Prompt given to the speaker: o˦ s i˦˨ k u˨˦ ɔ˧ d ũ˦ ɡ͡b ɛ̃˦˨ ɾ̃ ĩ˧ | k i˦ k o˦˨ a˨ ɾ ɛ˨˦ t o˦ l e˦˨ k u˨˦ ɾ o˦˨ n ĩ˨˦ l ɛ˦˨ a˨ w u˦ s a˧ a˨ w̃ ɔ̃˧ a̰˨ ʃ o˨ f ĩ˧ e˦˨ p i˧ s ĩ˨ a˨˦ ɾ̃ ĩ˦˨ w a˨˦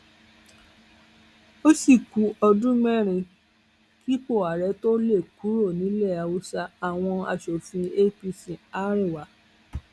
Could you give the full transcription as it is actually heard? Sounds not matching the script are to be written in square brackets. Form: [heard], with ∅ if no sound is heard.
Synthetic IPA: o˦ s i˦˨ k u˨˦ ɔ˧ d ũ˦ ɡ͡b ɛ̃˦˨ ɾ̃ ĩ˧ | k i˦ [k͡p] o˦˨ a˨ ɾ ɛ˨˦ t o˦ l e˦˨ k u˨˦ ɾ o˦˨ n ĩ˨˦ l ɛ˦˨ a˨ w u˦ s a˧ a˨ w̃ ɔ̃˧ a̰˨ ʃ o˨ f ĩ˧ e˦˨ p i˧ s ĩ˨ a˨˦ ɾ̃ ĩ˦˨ w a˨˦